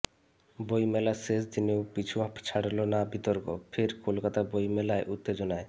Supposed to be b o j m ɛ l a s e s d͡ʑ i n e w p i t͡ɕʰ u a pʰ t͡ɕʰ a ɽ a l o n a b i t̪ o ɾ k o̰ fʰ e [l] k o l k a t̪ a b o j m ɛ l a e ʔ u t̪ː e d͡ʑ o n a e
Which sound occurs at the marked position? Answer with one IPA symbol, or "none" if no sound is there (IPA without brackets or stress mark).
ɾ